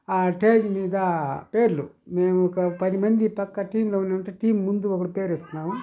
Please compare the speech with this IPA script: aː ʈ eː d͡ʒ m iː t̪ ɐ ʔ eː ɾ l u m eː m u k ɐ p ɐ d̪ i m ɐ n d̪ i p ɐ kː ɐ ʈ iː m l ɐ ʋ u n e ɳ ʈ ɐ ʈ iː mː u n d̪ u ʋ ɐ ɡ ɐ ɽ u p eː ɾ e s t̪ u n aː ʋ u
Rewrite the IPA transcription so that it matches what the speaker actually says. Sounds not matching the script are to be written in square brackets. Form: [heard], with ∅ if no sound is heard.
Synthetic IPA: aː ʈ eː d͡ʒ m iː [d̪] ɐ [p] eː ɾ l u m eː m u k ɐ p ɐ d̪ i m ɐ n d̪ i p ɐ kː ɐ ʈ iː m l ɐ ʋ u n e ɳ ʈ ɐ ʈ iː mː u n d̪ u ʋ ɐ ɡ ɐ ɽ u p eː ɾ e s t̪ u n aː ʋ u

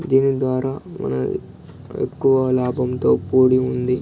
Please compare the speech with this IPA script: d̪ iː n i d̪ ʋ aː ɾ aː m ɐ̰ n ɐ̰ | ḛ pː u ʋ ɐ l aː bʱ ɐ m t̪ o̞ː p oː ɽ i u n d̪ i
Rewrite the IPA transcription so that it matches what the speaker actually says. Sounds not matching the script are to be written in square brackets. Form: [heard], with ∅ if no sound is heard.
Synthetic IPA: d̪ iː n i d̪ ʋ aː ɾ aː m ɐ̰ n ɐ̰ | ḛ [kː] u ʋ ɐ l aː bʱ ɐ m t̪ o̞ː p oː ɽ i u n d̪ i

